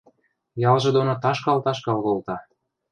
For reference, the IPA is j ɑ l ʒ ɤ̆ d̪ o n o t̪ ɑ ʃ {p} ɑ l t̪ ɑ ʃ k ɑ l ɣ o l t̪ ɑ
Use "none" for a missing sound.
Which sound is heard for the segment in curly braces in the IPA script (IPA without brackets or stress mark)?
k